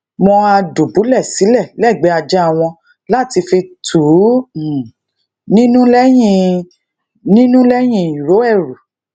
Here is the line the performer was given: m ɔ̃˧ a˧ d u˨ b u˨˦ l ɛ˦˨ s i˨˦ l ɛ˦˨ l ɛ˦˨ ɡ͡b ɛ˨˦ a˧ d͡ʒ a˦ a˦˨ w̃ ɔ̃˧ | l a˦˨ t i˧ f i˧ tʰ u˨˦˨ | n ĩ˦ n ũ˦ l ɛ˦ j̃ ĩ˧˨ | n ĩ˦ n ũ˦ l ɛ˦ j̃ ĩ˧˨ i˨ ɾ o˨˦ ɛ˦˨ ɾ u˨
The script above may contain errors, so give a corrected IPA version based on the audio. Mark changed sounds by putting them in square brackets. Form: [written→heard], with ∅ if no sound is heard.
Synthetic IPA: m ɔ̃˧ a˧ d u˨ b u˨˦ l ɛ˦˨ s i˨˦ l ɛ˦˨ l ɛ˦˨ ɡ͡b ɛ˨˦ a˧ d͡ʒ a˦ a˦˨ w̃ ɔ̃˧ | l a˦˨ t i˧ f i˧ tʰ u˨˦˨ | n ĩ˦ n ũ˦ l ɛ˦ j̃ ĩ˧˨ | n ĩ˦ n ũ˦ l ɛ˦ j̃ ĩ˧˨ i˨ ɾ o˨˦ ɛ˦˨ ɾ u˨

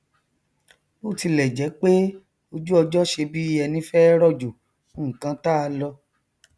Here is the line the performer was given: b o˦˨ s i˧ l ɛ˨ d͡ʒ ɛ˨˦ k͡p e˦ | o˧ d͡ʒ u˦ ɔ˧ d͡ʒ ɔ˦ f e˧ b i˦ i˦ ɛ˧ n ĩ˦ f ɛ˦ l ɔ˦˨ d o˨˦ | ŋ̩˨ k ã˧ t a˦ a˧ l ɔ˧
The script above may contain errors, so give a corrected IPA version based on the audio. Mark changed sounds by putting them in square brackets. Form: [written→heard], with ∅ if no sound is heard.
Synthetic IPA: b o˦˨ [s→t] i˧ l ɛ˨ d͡ʒ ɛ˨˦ k͡p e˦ | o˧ d͡ʒ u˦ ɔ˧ d͡ʒ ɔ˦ [f→ʃ] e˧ b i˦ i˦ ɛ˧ n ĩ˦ f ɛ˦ [l→ɾ] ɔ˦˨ [d→d͡ʒ] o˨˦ | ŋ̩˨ k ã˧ t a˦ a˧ l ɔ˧

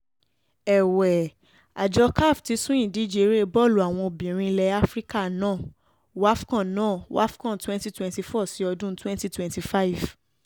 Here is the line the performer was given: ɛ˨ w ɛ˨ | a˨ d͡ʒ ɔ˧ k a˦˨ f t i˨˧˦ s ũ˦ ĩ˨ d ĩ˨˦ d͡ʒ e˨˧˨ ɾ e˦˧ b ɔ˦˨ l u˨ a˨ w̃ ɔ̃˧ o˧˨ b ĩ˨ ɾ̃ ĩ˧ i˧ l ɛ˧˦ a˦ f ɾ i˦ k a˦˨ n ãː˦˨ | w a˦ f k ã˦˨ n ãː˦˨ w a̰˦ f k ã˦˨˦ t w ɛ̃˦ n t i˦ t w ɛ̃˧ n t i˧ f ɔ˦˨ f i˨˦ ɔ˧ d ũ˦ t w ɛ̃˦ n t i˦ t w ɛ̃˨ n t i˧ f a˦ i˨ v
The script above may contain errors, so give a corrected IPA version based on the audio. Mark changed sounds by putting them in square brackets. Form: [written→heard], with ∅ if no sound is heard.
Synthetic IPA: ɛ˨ w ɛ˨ | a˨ d͡ʒ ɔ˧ k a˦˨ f t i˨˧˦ s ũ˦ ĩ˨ d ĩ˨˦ d͡ʒ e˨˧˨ ɾ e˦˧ b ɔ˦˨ l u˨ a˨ w̃ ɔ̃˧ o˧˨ b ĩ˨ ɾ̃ ĩ˧ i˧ l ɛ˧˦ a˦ f ɾ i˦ k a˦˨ n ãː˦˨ | w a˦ f k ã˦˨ n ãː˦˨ w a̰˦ f k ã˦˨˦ t w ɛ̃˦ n t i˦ t w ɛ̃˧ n t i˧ f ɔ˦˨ [f→s] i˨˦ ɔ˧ d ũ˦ t w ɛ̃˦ n t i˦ t w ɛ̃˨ n t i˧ f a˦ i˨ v

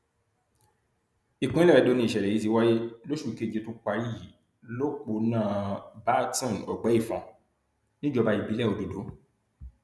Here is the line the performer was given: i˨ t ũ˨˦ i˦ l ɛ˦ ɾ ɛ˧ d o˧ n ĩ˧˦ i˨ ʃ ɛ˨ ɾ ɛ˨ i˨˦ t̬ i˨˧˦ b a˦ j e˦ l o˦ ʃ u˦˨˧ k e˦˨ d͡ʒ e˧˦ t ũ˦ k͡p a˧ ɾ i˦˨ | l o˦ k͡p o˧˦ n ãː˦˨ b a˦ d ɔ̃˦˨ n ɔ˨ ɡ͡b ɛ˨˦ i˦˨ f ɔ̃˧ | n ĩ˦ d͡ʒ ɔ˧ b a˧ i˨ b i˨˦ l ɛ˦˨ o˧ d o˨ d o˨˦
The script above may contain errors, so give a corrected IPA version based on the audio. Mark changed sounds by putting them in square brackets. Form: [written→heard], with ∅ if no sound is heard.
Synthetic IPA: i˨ [t→k] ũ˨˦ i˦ l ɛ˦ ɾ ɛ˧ d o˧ n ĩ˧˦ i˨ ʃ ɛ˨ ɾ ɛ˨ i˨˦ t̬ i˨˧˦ [b→w] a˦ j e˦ l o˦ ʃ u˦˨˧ k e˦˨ d͡ʒ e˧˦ t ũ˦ k͡p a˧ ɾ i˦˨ | l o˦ k͡p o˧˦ n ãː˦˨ b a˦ [d→t] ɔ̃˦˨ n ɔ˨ ɡ͡b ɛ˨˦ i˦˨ f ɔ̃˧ | n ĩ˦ d͡ʒ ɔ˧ b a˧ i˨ b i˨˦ l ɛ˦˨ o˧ d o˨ d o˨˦

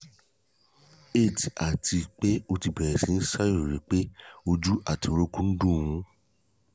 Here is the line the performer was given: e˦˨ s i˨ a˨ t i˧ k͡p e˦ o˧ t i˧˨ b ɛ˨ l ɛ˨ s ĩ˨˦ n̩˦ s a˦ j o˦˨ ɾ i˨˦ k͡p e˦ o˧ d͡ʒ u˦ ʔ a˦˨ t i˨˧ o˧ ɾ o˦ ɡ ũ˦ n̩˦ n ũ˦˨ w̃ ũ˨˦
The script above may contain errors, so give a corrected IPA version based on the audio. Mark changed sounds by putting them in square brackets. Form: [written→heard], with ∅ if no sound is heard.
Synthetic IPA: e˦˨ [s→t] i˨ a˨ t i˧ k͡p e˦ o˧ t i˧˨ b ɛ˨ [l→ɾ] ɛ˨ s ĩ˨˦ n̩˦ s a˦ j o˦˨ ɾ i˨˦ k͡p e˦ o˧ d͡ʒ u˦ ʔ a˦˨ t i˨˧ o˧ ɾ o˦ [ɡ→k] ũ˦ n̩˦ [n→d] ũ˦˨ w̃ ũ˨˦

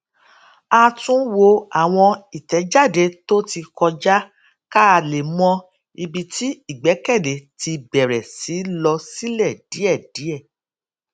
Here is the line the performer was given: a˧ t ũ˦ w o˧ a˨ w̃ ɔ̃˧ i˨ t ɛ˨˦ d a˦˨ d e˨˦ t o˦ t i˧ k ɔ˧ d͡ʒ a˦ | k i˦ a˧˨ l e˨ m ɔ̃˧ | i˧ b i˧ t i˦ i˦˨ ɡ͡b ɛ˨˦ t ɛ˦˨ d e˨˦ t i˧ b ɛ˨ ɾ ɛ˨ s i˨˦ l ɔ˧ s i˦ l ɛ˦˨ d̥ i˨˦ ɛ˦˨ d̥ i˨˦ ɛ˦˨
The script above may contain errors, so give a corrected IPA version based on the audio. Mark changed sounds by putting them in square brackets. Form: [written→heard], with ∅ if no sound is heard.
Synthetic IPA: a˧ t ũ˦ w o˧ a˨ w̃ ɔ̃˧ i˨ t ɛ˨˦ [d→d͡ʒ] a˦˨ d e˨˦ t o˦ t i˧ k ɔ˧ d͡ʒ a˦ | k [i˦→a˦] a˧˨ l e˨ m ɔ̃˧ | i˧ b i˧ t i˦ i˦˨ ɡ͡b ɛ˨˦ [t→k] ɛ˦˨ d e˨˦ t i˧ b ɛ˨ ɾ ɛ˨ s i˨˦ l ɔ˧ s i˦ l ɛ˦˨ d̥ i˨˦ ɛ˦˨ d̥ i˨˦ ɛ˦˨

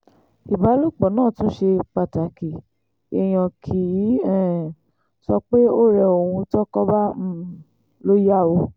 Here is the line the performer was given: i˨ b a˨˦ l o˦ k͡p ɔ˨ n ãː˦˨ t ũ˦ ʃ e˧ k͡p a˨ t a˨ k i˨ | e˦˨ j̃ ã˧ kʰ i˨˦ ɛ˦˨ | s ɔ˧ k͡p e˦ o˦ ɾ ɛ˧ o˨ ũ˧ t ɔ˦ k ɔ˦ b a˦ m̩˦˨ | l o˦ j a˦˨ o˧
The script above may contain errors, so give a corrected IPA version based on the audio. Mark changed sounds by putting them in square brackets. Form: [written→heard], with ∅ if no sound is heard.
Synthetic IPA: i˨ b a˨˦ l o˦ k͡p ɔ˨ n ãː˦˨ t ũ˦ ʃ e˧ k͡p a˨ t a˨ k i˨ | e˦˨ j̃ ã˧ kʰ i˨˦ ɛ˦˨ | s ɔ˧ k͡p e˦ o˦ ɾ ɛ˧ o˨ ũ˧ t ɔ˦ k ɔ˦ b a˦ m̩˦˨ | l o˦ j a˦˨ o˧

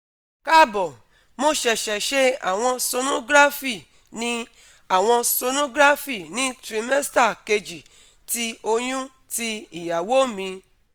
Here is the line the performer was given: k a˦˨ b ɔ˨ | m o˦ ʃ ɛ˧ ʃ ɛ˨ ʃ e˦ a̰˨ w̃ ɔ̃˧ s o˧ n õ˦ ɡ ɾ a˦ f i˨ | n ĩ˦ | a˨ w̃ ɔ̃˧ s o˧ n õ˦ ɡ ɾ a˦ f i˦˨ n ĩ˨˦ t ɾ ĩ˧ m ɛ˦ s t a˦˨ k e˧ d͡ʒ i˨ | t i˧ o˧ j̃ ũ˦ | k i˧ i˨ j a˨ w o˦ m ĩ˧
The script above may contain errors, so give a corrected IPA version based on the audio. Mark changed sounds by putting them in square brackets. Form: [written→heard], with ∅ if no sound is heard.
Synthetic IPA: k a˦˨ b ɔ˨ | m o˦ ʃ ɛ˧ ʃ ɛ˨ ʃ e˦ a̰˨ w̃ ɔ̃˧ s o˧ n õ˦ ɡ ɾ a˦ f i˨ | n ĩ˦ | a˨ w̃ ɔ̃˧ s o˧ n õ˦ ɡ ɾ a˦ f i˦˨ n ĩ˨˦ t ɾ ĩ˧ m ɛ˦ s t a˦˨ k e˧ d͡ʒ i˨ | t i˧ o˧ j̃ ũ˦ | [k→t] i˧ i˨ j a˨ w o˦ m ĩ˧

